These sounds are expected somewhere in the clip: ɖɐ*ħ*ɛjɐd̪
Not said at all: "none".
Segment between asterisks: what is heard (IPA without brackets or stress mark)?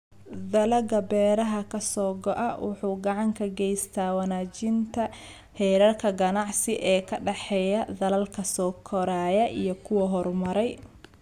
ħ